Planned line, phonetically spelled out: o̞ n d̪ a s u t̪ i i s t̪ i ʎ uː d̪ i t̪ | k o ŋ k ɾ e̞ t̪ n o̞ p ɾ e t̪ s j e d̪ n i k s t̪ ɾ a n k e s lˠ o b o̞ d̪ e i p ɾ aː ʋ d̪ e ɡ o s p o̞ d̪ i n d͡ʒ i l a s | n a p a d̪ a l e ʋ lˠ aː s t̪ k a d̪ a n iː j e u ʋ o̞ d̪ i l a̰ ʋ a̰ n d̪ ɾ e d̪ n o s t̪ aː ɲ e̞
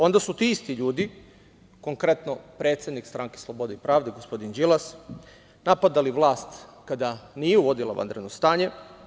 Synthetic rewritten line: o̞ n d̪ a s u t̪ i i s t̪ i ʎ uː d̪ i | k o ŋ k ɾ e̞ t̪ n o̞ p ɾ e t̪ s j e d̪ n i k s t̪ ɾ a ŋ k e s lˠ o b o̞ d̪ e i p ɾ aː ʋ d̪ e ɡ o s p o̞ d̪ i n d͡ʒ i l a s | n a p a d̪ a l i ʋ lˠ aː s t̪ k a d̪ a n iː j e u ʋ o̞ d̪ i l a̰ ʋ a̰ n d̪ ɾ e d̪ n o s t̪ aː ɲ e̞